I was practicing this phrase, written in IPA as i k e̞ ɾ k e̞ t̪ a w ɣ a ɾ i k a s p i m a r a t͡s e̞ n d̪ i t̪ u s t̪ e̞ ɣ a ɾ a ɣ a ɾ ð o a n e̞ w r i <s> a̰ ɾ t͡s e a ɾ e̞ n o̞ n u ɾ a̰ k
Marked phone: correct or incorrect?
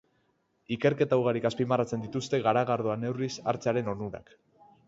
correct